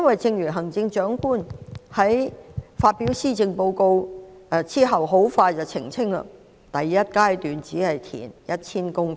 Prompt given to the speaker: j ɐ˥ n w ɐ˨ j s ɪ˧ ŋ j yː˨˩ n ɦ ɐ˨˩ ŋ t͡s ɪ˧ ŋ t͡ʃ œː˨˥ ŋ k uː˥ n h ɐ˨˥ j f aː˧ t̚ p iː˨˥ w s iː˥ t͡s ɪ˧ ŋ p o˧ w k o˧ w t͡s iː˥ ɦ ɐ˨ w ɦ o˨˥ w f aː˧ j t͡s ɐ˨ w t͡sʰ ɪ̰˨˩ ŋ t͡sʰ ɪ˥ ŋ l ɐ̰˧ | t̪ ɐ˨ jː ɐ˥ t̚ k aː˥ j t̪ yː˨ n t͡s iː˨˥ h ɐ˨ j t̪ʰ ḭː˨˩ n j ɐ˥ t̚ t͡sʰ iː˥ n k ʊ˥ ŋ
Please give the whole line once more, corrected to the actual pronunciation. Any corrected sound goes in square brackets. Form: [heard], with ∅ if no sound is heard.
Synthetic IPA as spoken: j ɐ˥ n w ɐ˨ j [t͡s] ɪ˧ ŋ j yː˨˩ n ɦ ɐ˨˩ ŋ t͡s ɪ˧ ŋ t͡ʃ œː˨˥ ŋ k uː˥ n h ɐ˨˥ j f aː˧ t̚ p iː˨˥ w s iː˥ t͡s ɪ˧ ŋ p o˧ w k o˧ w t͡s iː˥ ɦ ɐ˨ w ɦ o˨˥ w f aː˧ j t͡s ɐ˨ w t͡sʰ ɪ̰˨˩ ŋ t͡sʰ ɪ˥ ŋ l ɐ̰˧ | t̪ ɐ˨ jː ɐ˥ t̚ k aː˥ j t̪ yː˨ n t͡s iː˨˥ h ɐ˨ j t̪ʰ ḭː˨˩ n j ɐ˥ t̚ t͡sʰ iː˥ n k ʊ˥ ŋ